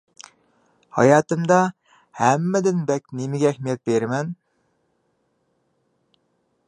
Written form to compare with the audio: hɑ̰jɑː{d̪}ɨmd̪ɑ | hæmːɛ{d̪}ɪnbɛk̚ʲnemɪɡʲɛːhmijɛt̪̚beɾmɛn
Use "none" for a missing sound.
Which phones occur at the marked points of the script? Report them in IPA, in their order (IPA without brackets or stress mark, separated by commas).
t̪, d̪